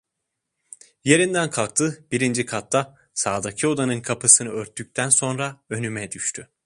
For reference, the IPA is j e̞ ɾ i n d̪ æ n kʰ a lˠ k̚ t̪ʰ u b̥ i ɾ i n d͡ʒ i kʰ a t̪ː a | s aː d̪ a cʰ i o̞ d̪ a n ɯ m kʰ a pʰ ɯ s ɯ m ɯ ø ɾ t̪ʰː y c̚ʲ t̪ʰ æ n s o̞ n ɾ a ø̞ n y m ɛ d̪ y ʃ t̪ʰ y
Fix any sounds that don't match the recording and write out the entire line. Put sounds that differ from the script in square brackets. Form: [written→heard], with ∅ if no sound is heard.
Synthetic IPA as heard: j e̞ ɾ i n d̪ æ n kʰ a lˠ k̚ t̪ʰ [u→ɯ] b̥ i ɾ i n d͡ʒ i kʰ a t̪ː a | s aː d̪ a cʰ i o̞ d̪ a n ɯ [m→n] kʰ a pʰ ɯ s ɯ [m→n] ɯ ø ɾ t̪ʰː y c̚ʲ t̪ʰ æ n s o̞ n ɾ a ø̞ n y m ɛ d̪ y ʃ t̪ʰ y